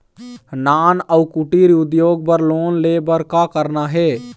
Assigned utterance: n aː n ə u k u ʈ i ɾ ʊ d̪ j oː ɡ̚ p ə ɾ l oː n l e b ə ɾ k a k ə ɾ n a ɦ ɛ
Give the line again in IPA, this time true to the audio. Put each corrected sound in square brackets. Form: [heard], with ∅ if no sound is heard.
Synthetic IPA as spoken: n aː n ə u k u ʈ i ɾ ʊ d̪ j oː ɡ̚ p ə ɾ l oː n l e b ə ɾ k a k ə ɾ n a ɦ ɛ